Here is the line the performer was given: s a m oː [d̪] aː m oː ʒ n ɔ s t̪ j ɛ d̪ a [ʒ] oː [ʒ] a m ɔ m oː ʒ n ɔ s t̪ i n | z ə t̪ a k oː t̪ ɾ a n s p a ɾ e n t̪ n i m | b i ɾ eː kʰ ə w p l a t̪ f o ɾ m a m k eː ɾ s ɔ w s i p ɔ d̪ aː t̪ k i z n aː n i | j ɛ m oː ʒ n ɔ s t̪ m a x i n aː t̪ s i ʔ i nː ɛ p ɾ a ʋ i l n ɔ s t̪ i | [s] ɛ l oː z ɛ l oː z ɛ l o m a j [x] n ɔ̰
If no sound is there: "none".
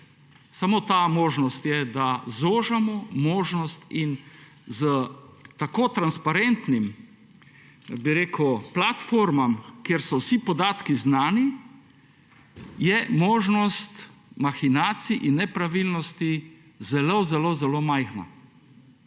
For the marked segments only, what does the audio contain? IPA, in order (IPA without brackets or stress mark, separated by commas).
t̪, z, ʒ, z, x